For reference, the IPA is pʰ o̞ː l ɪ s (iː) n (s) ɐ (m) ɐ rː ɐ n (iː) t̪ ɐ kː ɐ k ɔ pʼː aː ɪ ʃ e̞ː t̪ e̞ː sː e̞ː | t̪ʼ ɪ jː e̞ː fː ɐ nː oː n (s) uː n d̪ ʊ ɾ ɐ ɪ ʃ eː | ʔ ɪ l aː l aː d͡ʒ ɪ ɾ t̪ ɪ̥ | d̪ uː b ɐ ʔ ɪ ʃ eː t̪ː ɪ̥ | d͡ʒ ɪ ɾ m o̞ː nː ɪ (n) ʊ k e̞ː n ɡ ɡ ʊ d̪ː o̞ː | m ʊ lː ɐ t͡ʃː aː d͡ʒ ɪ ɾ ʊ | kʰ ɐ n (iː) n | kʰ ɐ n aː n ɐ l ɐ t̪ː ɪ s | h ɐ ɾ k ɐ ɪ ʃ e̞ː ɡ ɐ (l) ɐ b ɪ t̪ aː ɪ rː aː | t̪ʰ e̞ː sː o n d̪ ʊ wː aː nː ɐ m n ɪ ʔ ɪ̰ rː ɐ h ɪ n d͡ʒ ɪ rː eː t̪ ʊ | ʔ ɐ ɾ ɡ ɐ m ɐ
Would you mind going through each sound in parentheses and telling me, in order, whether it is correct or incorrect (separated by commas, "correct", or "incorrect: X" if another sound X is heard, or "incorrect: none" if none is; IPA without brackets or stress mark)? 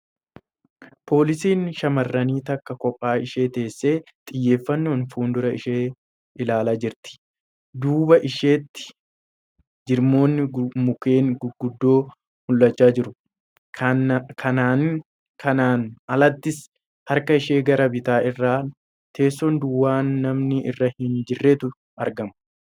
correct, incorrect: ʃ, correct, correct, incorrect: f, incorrect: m, incorrect: aː, incorrect: ɾ